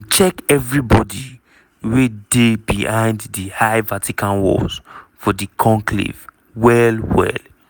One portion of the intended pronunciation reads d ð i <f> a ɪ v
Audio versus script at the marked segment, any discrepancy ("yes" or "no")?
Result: yes